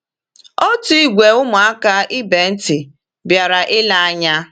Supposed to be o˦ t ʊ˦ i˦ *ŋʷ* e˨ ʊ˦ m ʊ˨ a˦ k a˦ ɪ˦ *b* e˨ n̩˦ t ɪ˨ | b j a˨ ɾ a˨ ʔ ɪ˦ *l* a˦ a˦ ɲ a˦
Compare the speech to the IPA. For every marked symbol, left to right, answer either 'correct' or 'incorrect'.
incorrect, correct, correct

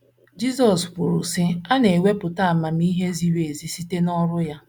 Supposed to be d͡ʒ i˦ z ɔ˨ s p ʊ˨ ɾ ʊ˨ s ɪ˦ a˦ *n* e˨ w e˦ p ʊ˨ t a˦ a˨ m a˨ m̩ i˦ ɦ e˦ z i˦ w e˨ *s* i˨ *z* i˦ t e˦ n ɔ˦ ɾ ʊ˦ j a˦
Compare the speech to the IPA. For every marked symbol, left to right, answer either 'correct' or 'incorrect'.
correct, incorrect, incorrect

